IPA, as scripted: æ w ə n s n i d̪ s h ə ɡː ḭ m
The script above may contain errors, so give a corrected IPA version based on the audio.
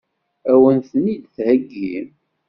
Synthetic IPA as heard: æ w ə n θ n i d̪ θ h ə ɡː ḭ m

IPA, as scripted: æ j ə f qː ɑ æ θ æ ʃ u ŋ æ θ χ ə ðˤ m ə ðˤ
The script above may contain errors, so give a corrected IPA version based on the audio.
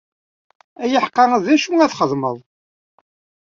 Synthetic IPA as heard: æ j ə ħ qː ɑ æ ð æ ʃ u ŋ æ θ χ ə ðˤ m ə ðˤ

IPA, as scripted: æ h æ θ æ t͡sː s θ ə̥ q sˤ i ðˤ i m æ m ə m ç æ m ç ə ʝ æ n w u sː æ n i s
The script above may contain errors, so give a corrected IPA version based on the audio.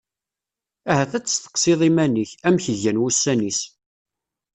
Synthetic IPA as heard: æ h æ θ æ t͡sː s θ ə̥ q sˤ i ðˤ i m æ n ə ç æ m ç ə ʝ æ n w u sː æ n i s

